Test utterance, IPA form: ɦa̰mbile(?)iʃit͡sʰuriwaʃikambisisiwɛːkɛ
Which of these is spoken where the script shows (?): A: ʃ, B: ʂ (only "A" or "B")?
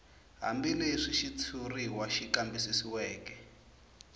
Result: B